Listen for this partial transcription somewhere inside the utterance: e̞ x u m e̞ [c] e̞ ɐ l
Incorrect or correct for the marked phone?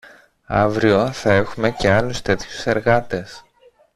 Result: correct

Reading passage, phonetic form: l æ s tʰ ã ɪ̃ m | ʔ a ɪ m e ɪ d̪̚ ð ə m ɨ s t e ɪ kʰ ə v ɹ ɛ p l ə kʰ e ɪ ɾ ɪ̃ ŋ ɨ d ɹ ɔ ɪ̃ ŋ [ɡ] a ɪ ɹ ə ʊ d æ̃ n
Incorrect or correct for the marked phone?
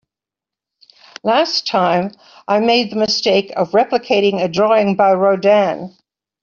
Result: incorrect: b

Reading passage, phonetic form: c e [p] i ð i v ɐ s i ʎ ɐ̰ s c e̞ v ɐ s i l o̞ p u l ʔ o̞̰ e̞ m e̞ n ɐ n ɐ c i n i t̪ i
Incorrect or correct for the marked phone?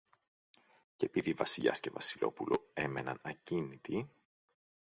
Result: correct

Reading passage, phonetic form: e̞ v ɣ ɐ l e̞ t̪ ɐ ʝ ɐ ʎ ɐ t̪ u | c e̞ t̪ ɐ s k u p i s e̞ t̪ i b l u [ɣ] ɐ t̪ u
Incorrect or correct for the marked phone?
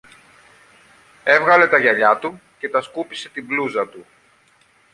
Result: incorrect: z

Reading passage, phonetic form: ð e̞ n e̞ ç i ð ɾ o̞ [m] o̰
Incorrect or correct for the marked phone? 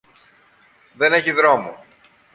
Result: correct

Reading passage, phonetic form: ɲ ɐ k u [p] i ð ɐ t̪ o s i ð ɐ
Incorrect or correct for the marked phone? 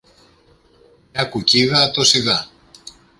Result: incorrect: c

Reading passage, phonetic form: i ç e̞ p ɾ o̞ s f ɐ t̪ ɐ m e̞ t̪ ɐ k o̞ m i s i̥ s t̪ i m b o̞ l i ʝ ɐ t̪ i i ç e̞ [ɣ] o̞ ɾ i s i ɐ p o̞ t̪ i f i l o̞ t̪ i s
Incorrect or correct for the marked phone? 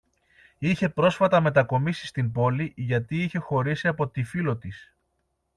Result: incorrect: x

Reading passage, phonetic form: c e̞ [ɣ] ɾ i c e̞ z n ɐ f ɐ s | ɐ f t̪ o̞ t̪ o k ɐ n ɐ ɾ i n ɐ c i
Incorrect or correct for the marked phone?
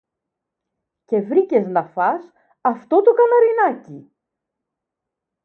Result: incorrect: v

